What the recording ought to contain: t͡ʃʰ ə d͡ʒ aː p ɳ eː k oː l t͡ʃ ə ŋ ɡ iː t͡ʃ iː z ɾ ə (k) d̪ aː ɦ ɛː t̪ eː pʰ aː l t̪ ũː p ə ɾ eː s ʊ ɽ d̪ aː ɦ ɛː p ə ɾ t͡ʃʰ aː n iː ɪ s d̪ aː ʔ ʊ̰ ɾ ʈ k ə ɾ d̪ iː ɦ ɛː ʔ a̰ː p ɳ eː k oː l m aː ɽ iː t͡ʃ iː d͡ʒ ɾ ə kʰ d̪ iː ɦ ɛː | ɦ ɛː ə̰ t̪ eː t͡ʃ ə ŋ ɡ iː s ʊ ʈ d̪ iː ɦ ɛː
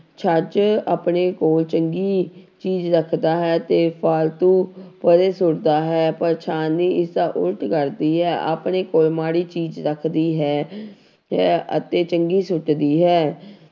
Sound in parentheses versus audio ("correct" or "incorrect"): incorrect